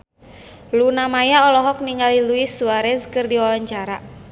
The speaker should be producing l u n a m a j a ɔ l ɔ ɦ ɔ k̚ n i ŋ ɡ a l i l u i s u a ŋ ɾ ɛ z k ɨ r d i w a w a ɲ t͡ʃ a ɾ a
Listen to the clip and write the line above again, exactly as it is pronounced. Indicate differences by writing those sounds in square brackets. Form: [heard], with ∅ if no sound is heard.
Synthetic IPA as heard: l u n a m a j a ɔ l ɔ ɦ ɔ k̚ n i ŋ ɡ a l i l u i s u a [∅] ɾ ɛ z k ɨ r d i w a w a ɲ t͡ʃ a ɾ a